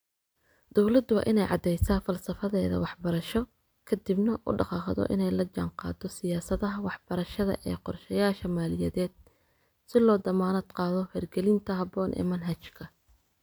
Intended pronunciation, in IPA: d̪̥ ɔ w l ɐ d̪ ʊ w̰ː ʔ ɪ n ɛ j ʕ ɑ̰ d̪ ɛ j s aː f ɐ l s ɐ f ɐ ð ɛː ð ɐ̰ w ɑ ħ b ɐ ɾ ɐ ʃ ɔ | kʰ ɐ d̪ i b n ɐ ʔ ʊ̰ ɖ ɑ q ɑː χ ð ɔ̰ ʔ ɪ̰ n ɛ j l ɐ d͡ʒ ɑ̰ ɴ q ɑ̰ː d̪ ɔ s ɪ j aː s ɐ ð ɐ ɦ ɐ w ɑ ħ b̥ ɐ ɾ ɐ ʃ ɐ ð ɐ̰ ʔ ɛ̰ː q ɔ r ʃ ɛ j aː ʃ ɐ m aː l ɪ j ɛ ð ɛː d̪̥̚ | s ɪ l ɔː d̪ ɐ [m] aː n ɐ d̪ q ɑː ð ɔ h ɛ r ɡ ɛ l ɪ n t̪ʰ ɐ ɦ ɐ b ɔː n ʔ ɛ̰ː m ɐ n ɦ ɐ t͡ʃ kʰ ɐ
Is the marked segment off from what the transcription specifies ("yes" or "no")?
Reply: no